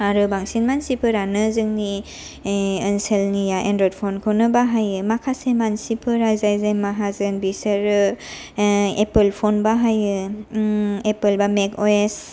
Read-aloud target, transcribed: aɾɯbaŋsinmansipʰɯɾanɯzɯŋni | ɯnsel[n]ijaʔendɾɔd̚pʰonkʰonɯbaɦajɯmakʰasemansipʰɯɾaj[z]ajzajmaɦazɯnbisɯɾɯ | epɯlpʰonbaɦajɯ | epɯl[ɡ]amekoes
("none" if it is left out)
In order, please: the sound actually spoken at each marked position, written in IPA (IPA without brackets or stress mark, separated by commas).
n, z, b